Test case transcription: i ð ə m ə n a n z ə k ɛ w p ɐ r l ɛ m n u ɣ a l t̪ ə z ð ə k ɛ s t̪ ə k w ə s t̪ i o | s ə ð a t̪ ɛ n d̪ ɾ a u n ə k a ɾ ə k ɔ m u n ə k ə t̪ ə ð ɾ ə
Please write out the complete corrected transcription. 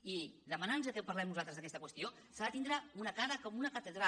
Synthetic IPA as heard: i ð ə m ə n a n z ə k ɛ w p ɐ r l ɛ m n u z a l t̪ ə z ð ə k ɛ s t̪ ə k w ə s t̪ i o | s a ð ə t̪ i n d̪ ɾ a u n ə k a ɾ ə k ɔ m u n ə k ə t̪ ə ð ɾ a